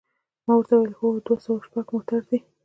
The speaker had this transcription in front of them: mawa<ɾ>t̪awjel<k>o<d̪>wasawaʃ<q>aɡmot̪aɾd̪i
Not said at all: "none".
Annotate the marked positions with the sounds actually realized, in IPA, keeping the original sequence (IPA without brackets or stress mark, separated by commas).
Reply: ɾ, x, d̪, p